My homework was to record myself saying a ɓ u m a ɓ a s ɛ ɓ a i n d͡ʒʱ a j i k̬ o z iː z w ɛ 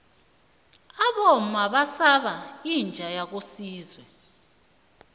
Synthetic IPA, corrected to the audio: a ɓ ɔ m a ɓ a s a ɓ a i n d͡ʒʱ a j a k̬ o s iː z w ɛ